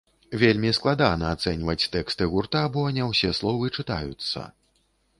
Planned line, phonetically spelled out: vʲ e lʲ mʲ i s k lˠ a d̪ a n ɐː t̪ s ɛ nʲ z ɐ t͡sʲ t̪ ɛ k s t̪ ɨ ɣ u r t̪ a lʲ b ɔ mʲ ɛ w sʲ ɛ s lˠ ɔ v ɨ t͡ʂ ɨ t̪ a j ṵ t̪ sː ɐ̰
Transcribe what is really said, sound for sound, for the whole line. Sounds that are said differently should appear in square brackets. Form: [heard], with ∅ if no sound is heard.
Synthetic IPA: vʲ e lʲ mʲ i s k lˠ a d̪ a n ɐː t̪ s ɛ nʲ [v] ɐ t͡sʲ t̪ ɛ k s t̪ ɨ ɣ u r t̪ a [∅] b ɔ [nʲ] ɛ w sʲ ɛ s lˠ ɔ v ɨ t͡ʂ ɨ t̪ a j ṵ t̪ sː ɐ̰

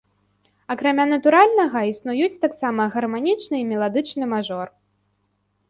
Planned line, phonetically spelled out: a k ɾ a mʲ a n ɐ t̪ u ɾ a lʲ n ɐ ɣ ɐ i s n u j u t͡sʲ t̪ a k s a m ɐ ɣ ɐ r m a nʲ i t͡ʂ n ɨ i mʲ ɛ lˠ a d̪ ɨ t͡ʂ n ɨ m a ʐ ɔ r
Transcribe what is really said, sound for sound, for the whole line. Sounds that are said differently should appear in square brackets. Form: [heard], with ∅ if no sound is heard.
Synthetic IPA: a k ɾ a mʲ a n ɐ t̪ u ɾ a lʲ n ɐ ɣ ɐ i s n u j u t͡sʲ t̪ a k s a m ɐ ɣ ɐ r m a nʲ i t͡ʂ n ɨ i mʲ ɛ lˠ a d̪ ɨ t͡ʂ n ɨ m a ʐ ɔ r

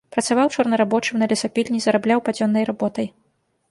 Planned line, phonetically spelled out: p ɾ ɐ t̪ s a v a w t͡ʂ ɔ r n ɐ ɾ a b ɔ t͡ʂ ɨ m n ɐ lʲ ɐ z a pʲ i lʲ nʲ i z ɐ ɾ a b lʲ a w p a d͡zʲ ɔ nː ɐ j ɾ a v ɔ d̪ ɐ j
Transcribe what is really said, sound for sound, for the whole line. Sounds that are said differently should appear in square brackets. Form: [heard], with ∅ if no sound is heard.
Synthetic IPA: p ɾ ɐ t̪ s a v a w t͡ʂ ɔ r n ɐ ɾ a b ɔ t͡ʂ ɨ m n ɐ lʲ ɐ [s] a pʲ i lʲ nʲ i z ɐ ɾ a b lʲ a w p a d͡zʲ ɔ nː ɐ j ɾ a [b] ɔ [t̪] ɐ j

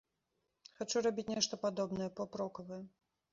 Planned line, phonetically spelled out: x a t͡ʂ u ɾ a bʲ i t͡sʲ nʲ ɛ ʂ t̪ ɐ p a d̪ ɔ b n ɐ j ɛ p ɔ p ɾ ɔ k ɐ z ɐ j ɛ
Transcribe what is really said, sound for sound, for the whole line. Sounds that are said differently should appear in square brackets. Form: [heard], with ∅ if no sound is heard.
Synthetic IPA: x a t͡ʂ u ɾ a bʲ i t͡sʲ nʲ ɛ ʂ t̪ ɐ p a d̪ ɔ b n ɐ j ɛ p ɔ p ɾ ɔ k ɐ [v] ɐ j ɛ

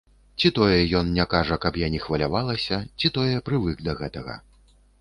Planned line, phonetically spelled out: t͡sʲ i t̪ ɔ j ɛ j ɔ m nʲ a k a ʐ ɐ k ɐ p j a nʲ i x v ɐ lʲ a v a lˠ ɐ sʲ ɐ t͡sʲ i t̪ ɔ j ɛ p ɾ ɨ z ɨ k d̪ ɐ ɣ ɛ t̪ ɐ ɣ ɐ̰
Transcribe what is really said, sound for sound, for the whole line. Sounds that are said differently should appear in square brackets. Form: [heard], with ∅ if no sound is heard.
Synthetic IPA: t͡sʲ i t̪ ɔ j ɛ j ɔ [n] nʲ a k a ʐ ɐ k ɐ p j a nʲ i x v ɐ lʲ a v a lˠ ɐ sʲ ɐ t͡sʲ i t̪ ɔ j ɛ p ɾ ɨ [v] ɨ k d̪ ɐ ɣ ɛ t̪ ɐ ɣ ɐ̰

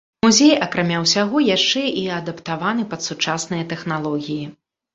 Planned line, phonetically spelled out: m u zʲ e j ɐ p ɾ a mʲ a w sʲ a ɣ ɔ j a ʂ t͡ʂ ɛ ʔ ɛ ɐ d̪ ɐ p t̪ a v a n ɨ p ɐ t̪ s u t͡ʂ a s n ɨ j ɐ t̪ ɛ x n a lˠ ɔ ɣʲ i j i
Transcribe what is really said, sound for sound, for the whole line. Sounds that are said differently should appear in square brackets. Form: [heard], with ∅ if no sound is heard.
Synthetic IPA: m u zʲ e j ɐ [k] ɾ a mʲ a w sʲ a ɣ ɔ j a ʂ t͡ʂ ɛ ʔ [i] ɐ d̪ ɐ p t̪ a v a n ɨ p ɐ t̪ s u t͡ʂ a s n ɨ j ɐ t̪ ɛ x n a lˠ ɔ ɣʲ i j i

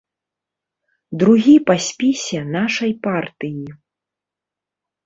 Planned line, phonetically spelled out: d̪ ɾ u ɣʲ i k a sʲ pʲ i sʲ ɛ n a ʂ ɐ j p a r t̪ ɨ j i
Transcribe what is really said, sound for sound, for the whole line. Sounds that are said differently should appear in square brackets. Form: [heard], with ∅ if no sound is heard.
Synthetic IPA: d̪ ɾ u ɣʲ i [p] a sʲ pʲ i sʲ ɛ n a ʂ ɐ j p a r t̪ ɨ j i

